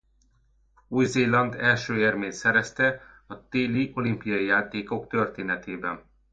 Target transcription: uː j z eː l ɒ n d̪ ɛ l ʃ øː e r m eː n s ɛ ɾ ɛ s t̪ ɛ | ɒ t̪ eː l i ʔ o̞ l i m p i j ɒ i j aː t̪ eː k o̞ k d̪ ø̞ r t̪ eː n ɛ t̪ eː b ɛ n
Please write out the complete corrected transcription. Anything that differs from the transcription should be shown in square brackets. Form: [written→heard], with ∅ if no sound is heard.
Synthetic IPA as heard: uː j z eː l ɒ n d̪ ɛ l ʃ øː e r m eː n s ɛ ɾ ɛ s t̪ ɛ | ɒ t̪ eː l i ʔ o̞ l i m p i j ɒ i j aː t̪ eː k o̞ k [d̪→t̪] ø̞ r t̪ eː n ɛ t̪ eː b ɛ n